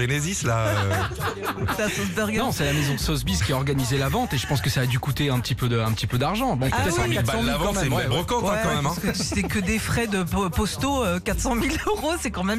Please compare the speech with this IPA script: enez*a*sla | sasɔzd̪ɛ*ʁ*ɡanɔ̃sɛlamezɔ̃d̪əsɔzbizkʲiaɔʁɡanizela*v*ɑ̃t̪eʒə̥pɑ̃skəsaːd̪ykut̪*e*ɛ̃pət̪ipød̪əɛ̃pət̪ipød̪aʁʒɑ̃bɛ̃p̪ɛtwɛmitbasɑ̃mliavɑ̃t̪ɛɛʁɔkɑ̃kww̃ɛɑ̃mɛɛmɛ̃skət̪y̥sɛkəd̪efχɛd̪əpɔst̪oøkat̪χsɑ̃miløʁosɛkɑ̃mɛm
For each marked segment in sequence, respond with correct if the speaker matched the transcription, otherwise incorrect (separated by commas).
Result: incorrect, correct, correct, correct